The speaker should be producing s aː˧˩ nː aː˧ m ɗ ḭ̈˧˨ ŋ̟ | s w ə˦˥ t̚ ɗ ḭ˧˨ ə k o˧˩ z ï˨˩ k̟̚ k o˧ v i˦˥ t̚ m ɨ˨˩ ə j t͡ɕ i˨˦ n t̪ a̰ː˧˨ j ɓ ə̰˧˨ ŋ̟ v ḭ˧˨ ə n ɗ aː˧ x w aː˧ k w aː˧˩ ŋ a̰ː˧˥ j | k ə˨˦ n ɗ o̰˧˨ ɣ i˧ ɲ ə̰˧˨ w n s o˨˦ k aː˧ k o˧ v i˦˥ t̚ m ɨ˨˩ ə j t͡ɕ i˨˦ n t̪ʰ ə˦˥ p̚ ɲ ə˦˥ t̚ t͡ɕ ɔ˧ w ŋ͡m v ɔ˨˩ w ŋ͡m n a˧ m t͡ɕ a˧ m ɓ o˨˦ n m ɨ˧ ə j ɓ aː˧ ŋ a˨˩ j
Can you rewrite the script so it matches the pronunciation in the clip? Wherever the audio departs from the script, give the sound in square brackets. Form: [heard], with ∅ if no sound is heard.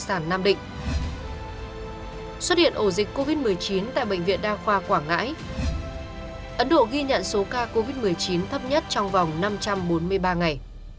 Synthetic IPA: s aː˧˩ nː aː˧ m ɗ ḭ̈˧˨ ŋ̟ | s w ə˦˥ t̚ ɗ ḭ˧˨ ə [ʔ] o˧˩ z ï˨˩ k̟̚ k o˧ v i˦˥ t̚ m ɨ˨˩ ə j t͡ɕ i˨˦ n t̪ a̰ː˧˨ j ɓ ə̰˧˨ ŋ̟ v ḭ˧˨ ə n ɗ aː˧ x w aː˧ k w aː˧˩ ŋ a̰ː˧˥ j | [ʔ] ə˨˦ n ɗ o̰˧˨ ɣ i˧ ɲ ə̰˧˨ [∅] n s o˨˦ k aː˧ k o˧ v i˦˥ t̚ m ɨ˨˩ ə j t͡ɕ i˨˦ n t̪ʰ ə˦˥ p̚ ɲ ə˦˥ t̚ t͡ɕ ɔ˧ w ŋ͡m v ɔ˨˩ w ŋ͡m n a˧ m t͡ɕ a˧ m ɓ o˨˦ n m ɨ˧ ə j ɓ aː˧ ŋ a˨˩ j